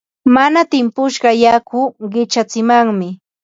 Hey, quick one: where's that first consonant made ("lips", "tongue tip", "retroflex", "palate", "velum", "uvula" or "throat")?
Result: lips